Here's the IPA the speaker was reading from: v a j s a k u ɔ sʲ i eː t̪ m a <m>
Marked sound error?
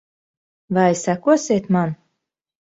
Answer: yes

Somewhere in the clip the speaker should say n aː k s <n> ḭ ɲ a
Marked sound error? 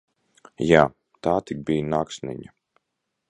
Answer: no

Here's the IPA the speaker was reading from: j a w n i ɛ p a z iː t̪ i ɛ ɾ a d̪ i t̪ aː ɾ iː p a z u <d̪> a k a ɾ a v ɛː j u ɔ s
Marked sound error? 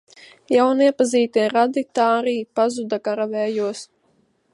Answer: no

